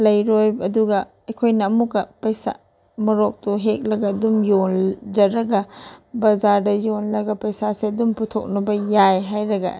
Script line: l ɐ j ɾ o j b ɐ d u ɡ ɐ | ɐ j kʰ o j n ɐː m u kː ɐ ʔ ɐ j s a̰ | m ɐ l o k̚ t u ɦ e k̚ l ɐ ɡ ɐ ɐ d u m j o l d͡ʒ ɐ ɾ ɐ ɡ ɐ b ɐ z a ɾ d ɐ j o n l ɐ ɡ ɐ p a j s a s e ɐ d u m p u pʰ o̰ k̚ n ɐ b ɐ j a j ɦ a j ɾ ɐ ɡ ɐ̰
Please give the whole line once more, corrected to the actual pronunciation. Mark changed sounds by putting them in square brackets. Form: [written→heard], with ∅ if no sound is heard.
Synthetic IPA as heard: l ɐ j ɾ o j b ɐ d u ɡ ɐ | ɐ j kʰ o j n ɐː m u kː ɐ [ʔ→p] ɐ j s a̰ | m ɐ [l→ɾ] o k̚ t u ɦ e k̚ l ɐ ɡ ɐ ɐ d u m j o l d͡ʒ ɐ ɾ ɐ ɡ ɐ b ɐ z a ɾ d ɐ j o n l ɐ ɡ ɐ p [a→ɐ] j s a s e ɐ d u m p u [pʰ→tʰ] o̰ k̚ n ɐ b ɐ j a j ɦ a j ɾ ɐ ɡ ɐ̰